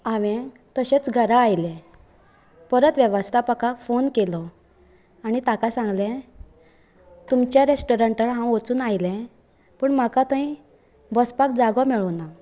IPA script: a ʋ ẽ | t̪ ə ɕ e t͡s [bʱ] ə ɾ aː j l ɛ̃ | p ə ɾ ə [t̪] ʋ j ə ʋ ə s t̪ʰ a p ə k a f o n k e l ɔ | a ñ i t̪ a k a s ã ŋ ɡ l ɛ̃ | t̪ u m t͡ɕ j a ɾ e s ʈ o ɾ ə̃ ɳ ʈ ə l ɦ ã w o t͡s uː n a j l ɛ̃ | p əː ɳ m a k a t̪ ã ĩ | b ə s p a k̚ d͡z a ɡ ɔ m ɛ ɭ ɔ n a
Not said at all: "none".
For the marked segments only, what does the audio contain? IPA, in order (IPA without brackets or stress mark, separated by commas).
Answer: ɡʱ, t̪